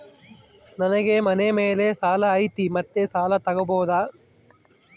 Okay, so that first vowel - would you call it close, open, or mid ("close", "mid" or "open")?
open